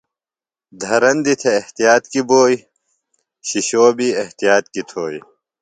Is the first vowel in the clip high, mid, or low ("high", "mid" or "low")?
low